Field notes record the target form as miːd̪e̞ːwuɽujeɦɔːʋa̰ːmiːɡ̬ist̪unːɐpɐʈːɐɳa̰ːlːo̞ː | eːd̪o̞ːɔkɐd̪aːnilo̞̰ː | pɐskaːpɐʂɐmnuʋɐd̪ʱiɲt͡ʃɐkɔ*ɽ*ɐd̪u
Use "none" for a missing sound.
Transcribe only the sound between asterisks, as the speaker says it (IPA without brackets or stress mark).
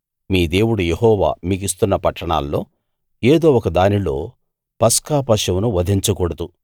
ɽ